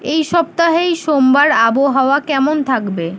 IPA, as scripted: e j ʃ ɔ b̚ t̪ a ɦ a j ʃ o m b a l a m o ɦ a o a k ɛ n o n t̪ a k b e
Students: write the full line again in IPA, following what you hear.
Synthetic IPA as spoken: e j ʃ ɔ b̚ t̪ a ɦ e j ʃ o m b a ɾ a b o ɦ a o a k ɛ m o n t̪ʰ a k b e